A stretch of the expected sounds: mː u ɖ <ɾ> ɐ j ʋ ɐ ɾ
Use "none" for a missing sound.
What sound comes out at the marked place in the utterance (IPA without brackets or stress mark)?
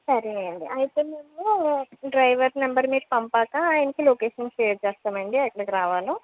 ɾ